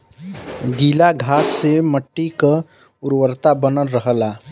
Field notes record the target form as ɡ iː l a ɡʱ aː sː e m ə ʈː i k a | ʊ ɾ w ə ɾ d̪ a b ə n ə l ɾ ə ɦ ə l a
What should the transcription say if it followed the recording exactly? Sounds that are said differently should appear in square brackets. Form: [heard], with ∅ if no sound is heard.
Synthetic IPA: ɡ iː l a ɡʱ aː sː e m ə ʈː i k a | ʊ ɾ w ə ɾ [t̪] a b ə n ə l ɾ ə ɦ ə l a